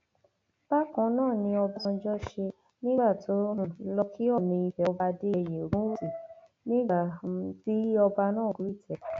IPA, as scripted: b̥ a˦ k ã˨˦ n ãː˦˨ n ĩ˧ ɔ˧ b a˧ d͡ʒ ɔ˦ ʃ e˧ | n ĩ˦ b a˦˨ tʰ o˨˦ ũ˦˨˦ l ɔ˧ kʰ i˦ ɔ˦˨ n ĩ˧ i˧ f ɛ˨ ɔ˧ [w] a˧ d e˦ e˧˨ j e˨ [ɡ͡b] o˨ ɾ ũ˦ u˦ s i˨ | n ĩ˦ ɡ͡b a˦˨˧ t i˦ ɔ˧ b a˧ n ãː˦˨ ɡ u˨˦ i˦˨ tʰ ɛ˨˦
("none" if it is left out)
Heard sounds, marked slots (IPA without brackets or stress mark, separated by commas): b, none